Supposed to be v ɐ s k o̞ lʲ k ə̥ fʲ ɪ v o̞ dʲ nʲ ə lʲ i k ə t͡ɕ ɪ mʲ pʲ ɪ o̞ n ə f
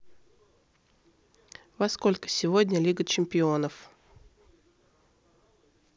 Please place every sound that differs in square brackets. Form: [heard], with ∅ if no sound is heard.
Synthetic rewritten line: v ɐ s k o̞ lʲ k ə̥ [sʲ] ɪ v o̞ dʲ nʲ ə lʲ i [ɡ] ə t͡ɕ ɪ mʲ pʲ ɪ o̞ n ə f